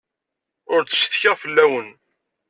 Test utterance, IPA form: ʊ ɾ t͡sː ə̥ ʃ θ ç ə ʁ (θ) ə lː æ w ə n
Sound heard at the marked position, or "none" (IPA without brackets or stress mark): f